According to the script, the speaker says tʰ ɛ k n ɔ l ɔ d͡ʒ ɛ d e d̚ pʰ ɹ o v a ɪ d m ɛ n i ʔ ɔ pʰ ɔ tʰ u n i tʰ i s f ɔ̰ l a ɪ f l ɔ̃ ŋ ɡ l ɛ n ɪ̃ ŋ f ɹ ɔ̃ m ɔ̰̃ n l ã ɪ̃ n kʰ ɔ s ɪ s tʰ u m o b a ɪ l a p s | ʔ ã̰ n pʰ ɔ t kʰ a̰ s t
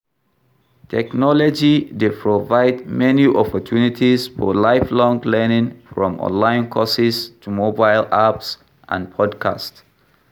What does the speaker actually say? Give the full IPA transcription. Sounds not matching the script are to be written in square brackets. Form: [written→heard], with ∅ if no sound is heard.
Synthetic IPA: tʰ ɛ k n ɔ l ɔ d͡ʒ [ɛ→i] d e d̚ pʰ ɹ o v a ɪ d m ɛ n i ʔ ɔ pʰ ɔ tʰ u n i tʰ i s f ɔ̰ l a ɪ f l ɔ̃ ŋ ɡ l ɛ n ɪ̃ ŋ f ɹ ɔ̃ m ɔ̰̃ n l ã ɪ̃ n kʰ ɔ s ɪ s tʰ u m o b a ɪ l a p s | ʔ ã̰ n pʰ ɔ [t→d] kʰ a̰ s t

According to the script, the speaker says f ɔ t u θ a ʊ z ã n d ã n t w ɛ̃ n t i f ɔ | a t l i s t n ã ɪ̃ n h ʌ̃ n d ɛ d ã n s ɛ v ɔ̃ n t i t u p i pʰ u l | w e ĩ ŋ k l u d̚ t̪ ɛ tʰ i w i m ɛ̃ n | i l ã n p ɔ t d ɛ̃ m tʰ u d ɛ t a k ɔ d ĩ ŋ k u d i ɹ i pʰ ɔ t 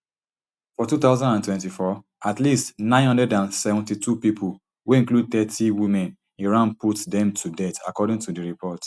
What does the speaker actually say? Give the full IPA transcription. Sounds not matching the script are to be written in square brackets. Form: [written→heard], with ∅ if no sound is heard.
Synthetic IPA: f ɔ t u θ a ʊ z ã n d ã n t w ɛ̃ n t i f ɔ | a t l i s t n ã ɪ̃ n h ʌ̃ n d ɛ d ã n s ɛ v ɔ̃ n t i t u p i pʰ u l | w e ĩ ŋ k l u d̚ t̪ ɛ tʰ i w i m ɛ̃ n | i [l→ɹ] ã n p [ɔ→u] t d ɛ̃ m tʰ u d ɛ t a k ɔ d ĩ ŋ [k→t] u d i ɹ i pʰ ɔ t

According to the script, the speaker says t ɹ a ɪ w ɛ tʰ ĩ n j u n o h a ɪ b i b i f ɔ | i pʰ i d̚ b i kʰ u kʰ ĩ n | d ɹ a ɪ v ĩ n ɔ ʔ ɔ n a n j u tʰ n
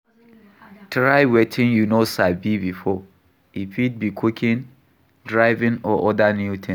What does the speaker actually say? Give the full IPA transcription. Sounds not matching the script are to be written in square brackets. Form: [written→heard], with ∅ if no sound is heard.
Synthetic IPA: t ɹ a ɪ w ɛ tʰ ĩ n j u n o [h→s] a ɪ b i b i f ɔ | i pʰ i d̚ b i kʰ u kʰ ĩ n | d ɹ a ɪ v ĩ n ɔ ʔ ɔ [n→d] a n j u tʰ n

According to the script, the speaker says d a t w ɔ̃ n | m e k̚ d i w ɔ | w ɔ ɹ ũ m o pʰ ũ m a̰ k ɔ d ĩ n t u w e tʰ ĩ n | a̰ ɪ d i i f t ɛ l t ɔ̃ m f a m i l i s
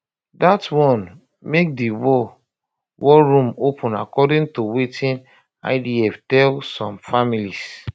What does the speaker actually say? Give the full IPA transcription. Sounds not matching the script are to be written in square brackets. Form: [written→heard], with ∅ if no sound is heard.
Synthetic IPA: d a t w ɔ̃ n | m e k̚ d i w ɔ | w ɔ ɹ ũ m o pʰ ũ [m→n] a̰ k ɔ d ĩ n t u w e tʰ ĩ n | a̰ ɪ d i [i→ɛ] f t ɛ l [t→s] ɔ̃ m f a m i l i s

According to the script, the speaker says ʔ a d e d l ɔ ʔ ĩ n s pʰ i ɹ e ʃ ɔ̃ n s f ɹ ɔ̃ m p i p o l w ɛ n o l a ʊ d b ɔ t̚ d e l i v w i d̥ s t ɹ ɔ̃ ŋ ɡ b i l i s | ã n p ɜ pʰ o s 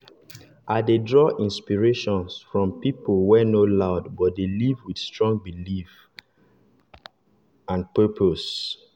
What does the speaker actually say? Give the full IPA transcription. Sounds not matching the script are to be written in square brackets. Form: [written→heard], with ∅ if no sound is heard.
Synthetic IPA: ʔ a d e d [l→ɹ] ɔ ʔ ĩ n s [pʰ→p] i ɹ e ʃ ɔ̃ n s f ɹ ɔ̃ m p i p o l w ɛ n o l a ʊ d b ɔ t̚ d e l i v w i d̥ s t ɹ ɔ̃ ŋ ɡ b i l i [s→f] | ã n p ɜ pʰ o s

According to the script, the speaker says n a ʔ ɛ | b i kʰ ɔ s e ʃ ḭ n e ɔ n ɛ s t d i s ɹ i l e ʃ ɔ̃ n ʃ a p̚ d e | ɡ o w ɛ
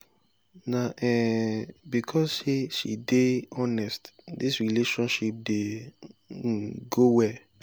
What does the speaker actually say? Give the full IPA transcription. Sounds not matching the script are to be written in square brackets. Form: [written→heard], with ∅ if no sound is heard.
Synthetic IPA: n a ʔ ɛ | b i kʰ ɔ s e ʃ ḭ [n→d] e ɔ n ɛ s t d i s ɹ i l e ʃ ɔ̃ n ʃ [a→i] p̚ d e | ɡ o w ɛ

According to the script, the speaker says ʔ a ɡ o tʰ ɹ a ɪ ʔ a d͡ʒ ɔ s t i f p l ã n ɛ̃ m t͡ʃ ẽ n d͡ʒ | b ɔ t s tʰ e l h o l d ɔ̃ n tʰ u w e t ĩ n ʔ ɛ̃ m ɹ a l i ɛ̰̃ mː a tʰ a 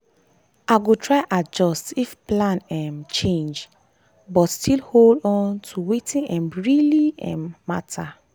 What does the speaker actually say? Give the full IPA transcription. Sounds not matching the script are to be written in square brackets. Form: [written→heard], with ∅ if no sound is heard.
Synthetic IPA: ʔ a ɡ o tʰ ɹ a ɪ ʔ a d͡ʒ ɔ s t i f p l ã n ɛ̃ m t͡ʃ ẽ n d͡ʒ | b ɔ t s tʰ [e→i] l h o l d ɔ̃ n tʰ u w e t ĩ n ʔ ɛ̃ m ɹ [a→i] l i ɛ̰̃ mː a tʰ a

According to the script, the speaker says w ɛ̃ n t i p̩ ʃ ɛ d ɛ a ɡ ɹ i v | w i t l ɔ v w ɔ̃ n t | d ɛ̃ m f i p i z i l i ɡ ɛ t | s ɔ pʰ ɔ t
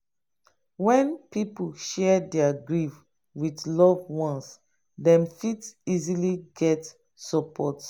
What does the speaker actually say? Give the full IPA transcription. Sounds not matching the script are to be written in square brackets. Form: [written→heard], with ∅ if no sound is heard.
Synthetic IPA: w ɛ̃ n [t→p] i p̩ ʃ ɛ d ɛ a ɡ ɹ i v | w i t l ɔ v w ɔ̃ n [t→s] | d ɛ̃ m f i [p→t] i z i l i ɡ ɛ t | s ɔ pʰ ɔ t

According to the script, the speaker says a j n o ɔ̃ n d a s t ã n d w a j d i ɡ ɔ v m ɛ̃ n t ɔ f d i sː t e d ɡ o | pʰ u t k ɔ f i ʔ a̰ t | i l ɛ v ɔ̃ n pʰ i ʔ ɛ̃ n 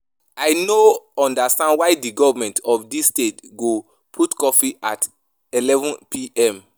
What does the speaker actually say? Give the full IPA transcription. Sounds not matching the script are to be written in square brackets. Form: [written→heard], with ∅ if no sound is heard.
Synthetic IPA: a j n o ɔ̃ n d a s t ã n d w a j d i ɡ ɔ v m ɛ̃ n t ɔ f d i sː t e [d→t] ɡ o | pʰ u t k ɔ f i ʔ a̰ t | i l ɛ v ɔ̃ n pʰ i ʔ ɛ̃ [n→m]

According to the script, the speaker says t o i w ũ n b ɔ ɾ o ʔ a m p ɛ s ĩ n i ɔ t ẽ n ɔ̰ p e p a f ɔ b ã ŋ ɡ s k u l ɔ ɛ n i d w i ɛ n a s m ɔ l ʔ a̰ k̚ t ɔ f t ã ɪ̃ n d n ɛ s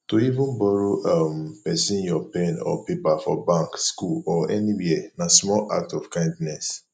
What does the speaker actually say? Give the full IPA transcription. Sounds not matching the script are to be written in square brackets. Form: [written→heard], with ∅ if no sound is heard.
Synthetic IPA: t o i [w→v] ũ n b ɔ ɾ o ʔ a m p ɛ s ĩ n [i→j] ɔ [t→p] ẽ n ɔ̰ p e p a f ɔ b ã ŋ [ɡ→k] s k u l ɔ ɛ n i [d→∅] w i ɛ n a s m ɔ l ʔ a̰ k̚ t ɔ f [t→k] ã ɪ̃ n d n ɛ s

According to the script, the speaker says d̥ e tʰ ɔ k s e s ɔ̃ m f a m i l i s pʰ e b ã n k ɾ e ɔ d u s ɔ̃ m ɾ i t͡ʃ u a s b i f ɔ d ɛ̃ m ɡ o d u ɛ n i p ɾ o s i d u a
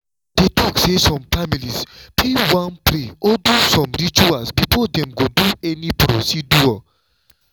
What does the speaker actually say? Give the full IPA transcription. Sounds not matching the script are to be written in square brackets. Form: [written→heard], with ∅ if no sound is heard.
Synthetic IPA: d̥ e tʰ ɔ k s e s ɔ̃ m f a m i l i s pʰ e [b→w] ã n [k→p] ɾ e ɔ d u s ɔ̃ m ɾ i t͡ʃ u a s b i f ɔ d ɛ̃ m ɡ o d u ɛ n i p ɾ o s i d u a

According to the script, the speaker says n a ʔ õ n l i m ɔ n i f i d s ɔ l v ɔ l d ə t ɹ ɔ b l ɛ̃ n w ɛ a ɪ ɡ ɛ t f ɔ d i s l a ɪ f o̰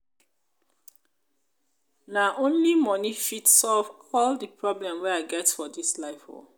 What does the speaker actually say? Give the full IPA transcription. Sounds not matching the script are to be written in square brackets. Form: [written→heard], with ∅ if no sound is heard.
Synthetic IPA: n a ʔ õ n l i m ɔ n i f i [d→t] s ɔ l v ɔ l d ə [t→p] ɹ ɔ b l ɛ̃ [n→m] w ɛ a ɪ ɡ ɛ t f ɔ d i s l a ɪ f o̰

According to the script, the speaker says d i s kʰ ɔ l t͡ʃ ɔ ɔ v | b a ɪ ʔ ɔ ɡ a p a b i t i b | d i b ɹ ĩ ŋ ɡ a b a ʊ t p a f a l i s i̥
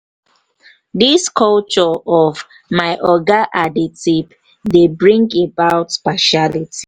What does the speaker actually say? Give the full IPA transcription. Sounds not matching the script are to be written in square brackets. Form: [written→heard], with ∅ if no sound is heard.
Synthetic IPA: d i s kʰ ɔ l t͡ʃ ɔ ɔ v | [b→m] a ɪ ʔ ɔ ɡ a [p→ʔ] a [b→d] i t i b | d [i→e] b ɹ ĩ ŋ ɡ [a→e] b a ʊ t p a [f→ʃ] a l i [s→t] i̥

